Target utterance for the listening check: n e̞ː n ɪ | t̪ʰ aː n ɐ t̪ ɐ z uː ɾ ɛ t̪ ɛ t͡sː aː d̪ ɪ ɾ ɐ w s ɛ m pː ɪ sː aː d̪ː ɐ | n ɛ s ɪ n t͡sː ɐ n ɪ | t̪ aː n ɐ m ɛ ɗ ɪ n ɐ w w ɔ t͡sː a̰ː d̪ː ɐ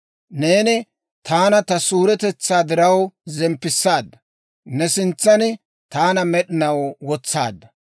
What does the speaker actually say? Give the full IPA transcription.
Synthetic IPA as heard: n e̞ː n ɪ | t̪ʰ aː n ɐ t̪ ɐ s uː ɾ ɛ t̪ ɛ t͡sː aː d̪ ɪ ɾ ɐ w z ɛ m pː ɪ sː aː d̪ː ɐ | n ɛ s ɪ n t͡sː ɐ n ɪ | t̪ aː n ɐ m ɛ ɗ ɪ n ɐ w w ɔ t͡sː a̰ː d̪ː ɐ